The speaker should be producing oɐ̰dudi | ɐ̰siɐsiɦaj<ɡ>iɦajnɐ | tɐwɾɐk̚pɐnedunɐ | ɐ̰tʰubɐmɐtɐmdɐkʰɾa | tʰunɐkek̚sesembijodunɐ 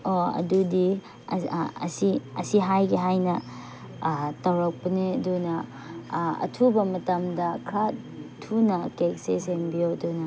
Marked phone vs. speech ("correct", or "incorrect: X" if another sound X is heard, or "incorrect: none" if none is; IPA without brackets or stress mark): correct